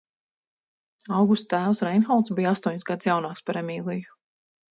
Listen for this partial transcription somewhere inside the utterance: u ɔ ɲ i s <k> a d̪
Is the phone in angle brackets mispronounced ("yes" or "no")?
yes